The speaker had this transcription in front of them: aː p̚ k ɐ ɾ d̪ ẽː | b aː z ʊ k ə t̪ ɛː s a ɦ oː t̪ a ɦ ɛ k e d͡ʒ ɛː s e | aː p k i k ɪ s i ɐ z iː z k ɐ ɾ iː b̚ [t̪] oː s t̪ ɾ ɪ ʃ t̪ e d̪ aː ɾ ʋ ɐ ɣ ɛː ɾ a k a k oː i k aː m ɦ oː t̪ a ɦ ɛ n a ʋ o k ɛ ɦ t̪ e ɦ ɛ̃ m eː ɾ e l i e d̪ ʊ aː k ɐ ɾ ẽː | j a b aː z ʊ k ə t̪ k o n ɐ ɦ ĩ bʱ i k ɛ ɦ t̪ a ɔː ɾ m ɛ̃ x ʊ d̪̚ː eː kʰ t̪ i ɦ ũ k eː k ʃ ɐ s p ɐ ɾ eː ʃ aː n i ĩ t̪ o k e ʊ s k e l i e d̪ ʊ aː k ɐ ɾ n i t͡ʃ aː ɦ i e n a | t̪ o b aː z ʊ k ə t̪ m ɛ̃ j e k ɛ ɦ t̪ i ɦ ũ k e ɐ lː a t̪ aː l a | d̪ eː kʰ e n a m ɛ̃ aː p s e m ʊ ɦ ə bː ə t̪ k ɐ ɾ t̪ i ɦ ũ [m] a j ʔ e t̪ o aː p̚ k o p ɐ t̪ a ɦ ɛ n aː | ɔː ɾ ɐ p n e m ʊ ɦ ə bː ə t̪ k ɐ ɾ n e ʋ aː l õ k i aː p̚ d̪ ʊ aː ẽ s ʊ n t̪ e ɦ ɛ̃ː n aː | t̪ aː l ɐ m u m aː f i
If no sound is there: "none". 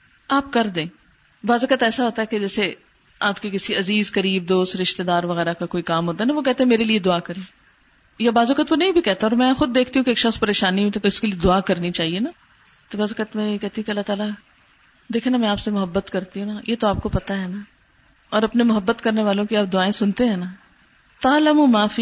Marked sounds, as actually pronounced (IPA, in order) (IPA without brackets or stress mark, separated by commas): d̪, n